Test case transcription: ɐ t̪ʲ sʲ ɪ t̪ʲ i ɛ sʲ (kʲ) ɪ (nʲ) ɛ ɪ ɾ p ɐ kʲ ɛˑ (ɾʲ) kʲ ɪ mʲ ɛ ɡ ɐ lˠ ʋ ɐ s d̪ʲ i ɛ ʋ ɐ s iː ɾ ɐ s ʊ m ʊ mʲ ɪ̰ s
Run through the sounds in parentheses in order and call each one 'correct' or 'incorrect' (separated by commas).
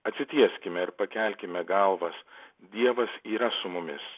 correct, incorrect, incorrect